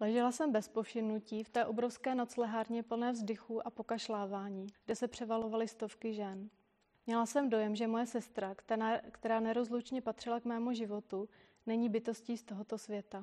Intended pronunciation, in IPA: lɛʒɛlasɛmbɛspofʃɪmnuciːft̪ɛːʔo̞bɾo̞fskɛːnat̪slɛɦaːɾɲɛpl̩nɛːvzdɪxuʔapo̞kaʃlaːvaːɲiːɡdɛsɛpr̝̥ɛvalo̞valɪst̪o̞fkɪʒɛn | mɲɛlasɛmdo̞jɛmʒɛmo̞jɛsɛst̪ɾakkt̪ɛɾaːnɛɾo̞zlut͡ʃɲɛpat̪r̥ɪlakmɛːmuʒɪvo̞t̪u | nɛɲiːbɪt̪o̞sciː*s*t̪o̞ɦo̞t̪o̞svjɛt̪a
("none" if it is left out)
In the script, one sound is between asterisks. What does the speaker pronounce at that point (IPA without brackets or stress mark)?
s